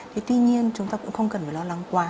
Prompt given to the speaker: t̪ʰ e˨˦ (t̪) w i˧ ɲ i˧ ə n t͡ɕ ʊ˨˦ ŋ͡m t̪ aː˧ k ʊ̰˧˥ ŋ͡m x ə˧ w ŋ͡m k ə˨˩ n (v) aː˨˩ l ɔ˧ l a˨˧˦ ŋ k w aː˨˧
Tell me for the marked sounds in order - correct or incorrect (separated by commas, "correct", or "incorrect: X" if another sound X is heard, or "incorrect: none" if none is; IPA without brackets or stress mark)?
correct, incorrect: f